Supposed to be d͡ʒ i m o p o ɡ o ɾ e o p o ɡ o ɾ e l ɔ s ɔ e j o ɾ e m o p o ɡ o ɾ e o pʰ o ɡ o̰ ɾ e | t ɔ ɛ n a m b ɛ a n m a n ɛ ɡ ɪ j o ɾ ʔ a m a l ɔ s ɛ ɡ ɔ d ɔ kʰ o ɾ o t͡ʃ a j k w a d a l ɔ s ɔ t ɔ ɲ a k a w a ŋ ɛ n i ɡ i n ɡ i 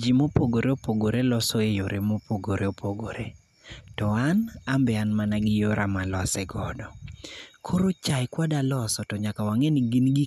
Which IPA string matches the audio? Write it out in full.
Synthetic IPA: d͡ʒ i m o p o ɡ o ɾ e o p o ɡ o ɾ e l ɔ s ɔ e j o ɾ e m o p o ɡ o ɾ e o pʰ o ɡ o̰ ɾ e | t ɔ a n a m b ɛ a n m a n a ɡ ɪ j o ɾ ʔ a m a l ɔ s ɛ ɡ ɔ d ɔ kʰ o ɾ o t͡ʃ a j k w a d a l ɔ s ɔ t ɔ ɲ a k a w a ŋ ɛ n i ɡ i n ɡ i